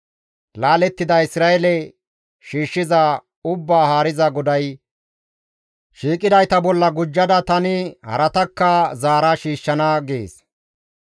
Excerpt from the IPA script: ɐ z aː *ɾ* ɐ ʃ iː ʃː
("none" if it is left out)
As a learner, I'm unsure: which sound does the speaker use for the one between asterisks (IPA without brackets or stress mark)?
ɾ